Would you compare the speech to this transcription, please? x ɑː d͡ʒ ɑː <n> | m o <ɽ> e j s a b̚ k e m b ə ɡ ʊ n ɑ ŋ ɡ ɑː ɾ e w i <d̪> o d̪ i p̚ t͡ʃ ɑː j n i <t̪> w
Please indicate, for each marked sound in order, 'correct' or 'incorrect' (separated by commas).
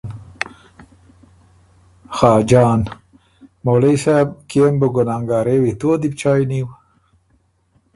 correct, incorrect, incorrect, incorrect